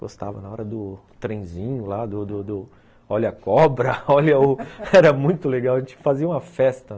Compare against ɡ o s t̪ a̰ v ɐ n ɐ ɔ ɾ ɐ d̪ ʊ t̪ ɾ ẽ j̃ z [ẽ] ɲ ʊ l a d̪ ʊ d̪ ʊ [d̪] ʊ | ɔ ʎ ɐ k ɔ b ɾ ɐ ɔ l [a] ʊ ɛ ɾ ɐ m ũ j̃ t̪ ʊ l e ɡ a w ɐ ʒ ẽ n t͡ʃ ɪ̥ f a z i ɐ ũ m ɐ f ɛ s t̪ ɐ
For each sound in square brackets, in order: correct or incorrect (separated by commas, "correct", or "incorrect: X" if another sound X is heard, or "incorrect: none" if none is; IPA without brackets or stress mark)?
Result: incorrect: ĩ, correct, incorrect: ɐ